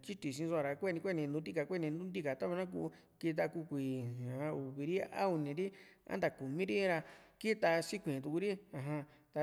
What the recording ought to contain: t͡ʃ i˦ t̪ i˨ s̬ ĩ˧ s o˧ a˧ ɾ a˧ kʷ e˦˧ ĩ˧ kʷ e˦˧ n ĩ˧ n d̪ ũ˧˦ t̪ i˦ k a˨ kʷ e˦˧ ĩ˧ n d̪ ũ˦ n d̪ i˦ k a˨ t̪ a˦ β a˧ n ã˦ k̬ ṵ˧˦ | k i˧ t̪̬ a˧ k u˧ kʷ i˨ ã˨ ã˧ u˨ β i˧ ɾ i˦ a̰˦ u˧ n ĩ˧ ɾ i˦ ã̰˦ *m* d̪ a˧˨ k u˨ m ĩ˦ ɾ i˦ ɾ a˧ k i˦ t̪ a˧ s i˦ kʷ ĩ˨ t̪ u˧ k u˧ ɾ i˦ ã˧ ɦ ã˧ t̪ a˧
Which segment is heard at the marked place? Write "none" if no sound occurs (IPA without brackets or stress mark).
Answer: n